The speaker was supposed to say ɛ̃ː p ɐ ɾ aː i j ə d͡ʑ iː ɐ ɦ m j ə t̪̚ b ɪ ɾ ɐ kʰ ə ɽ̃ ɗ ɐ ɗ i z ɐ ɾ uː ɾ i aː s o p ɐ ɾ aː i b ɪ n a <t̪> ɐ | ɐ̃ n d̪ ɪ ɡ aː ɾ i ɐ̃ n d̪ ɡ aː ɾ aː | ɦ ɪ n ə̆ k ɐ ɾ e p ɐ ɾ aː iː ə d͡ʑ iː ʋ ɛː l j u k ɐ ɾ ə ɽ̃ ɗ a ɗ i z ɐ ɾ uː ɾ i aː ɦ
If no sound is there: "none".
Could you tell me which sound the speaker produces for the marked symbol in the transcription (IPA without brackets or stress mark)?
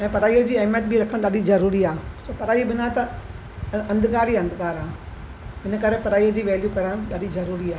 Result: t̪